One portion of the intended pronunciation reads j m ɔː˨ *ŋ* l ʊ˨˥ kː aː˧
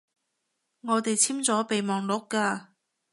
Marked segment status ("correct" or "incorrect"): correct